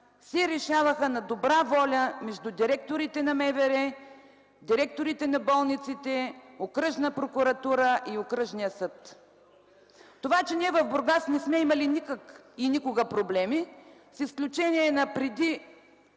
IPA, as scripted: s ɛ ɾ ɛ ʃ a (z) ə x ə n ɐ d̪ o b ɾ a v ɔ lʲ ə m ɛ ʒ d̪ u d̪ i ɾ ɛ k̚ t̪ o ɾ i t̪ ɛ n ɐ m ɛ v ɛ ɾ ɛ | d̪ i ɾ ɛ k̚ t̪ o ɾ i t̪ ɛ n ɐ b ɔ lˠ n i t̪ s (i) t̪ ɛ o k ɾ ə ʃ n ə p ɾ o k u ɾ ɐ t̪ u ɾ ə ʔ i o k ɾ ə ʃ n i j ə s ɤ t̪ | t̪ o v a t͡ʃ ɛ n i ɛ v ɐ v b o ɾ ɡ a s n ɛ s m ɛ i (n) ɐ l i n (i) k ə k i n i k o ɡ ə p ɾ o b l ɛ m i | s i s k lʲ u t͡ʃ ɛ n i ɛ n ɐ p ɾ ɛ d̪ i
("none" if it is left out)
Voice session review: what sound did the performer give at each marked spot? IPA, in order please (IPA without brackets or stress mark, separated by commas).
v, i, m, i